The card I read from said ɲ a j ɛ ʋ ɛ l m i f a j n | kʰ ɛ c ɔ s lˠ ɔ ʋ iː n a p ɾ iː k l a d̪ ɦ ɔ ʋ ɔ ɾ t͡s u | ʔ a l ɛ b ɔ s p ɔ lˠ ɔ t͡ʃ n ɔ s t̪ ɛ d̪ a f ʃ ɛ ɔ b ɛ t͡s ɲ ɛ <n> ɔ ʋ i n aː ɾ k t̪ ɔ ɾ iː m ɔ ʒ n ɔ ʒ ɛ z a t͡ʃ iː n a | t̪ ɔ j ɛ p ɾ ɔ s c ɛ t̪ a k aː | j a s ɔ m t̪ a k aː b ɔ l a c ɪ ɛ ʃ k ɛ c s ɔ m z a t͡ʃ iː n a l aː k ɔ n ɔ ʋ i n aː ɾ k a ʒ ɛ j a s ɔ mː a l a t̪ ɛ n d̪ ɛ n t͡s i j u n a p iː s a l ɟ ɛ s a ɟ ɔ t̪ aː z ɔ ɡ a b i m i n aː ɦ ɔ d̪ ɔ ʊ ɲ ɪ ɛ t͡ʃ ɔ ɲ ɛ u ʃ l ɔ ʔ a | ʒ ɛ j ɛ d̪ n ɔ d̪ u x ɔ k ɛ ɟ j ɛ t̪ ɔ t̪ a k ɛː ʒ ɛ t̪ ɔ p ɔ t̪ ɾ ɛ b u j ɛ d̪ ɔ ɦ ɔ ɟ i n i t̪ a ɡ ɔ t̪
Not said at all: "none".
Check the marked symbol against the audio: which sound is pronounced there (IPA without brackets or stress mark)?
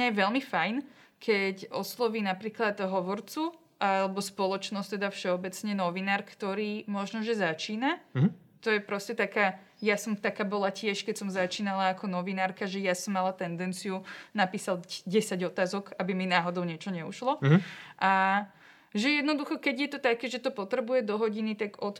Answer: n